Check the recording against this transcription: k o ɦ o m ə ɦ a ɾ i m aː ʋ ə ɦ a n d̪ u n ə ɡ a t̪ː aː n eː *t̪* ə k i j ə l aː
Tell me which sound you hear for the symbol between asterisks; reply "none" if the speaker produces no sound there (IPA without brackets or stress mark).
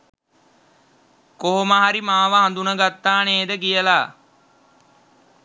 d̪